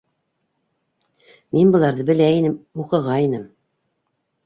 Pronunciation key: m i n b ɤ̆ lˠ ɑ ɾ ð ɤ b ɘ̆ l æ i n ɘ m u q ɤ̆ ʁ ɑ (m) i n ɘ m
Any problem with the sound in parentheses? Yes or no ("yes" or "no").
yes